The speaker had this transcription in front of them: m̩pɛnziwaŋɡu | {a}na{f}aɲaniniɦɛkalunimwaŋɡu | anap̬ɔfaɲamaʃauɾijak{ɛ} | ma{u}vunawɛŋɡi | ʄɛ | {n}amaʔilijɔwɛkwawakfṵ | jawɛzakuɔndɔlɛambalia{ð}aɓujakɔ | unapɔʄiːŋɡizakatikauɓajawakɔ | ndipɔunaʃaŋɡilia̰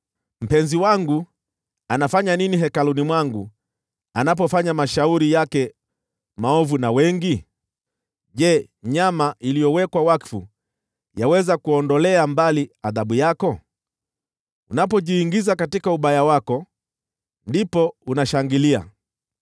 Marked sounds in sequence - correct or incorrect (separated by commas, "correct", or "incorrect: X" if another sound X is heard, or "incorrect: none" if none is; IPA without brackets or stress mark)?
correct, correct, correct, incorrect: ɔ, incorrect: ɲ, correct